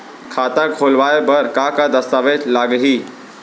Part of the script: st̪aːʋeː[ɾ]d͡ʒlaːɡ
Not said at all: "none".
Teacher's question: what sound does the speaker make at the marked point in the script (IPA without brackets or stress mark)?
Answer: none